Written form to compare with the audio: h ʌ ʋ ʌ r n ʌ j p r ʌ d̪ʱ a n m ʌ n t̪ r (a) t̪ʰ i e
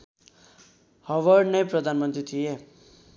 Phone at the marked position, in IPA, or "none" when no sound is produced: i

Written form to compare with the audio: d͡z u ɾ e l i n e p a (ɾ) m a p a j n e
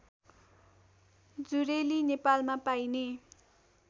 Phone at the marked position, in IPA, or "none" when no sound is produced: l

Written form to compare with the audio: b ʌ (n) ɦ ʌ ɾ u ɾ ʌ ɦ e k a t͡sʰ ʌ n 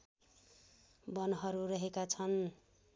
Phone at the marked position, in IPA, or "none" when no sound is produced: n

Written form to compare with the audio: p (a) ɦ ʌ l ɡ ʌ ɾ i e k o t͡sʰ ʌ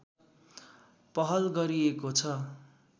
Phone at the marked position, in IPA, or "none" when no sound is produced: ʌ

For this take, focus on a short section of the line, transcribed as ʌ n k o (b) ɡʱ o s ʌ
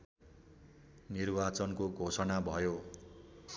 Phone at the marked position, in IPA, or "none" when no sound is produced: none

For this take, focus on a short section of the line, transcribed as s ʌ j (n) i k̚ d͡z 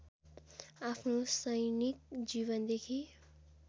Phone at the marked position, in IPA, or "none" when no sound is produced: n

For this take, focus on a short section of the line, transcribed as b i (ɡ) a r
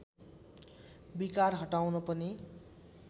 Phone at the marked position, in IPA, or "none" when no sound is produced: k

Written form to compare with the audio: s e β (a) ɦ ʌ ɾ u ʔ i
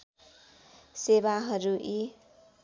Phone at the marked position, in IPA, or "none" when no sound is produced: a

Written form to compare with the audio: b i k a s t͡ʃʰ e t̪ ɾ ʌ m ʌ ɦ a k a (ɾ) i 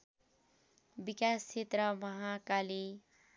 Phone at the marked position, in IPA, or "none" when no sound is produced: l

